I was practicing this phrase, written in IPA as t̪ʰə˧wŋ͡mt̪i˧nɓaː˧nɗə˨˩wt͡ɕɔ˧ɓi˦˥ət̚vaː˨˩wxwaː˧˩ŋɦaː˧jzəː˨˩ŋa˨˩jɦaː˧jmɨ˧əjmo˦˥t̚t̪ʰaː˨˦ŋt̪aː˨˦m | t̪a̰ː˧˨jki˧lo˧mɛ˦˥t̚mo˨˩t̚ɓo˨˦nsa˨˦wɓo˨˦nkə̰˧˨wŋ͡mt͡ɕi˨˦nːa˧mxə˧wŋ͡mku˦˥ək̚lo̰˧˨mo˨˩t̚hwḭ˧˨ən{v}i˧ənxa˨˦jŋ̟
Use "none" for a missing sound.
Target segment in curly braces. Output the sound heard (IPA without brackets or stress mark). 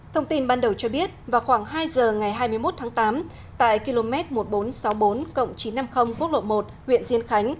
z